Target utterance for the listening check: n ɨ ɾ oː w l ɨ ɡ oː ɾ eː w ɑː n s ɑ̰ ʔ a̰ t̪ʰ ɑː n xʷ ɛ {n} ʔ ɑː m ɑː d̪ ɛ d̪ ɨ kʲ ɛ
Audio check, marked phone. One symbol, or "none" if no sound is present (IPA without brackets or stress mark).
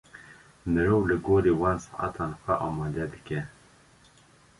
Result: none